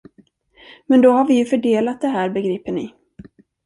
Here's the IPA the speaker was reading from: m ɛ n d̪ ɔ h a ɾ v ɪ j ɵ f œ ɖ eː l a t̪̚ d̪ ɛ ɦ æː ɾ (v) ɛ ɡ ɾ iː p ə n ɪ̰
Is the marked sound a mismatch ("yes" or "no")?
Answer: yes